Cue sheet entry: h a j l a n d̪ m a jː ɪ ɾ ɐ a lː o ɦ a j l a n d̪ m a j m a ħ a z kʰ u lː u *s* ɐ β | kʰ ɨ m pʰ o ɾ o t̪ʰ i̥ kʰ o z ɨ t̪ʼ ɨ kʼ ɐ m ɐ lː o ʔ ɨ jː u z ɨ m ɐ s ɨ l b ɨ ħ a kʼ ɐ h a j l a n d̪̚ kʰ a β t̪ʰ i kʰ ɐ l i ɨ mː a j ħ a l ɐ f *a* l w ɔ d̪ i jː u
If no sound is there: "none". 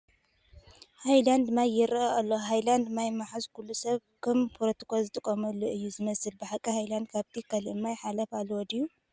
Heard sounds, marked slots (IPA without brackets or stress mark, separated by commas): s, a